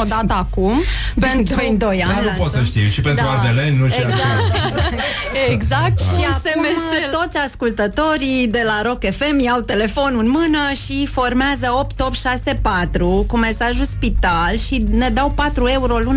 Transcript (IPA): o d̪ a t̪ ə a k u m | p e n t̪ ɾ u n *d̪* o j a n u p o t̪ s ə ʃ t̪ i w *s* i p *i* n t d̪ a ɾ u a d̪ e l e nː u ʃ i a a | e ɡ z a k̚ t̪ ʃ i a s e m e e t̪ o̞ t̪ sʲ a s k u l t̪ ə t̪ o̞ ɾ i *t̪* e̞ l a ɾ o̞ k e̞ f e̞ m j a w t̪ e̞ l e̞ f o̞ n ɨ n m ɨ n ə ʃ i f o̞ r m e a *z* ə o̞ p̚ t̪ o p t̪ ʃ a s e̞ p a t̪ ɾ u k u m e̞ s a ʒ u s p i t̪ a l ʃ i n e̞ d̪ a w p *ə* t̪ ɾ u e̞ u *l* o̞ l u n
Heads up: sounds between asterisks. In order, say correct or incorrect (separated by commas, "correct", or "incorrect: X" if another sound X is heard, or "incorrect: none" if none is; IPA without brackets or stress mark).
correct, incorrect: ʃ, incorrect: e, incorrect: d̪, correct, incorrect: a, incorrect: ɾ